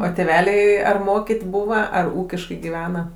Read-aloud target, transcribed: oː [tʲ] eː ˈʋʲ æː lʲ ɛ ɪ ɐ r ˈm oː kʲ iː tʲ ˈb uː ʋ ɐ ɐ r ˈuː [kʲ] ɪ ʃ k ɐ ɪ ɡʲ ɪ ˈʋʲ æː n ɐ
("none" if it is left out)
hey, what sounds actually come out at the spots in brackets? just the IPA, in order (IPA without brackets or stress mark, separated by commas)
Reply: tʲ, kʲ